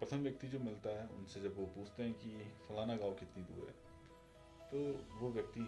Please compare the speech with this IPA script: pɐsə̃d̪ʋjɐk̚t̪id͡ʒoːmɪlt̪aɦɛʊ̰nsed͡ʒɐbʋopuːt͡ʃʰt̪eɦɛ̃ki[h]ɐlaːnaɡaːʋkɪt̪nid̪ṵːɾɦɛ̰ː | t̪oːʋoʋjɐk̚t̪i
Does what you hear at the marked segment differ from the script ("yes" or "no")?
yes